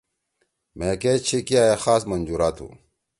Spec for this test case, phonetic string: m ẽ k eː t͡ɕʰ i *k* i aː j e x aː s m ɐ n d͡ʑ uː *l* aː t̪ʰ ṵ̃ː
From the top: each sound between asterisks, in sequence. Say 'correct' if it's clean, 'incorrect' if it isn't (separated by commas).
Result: correct, incorrect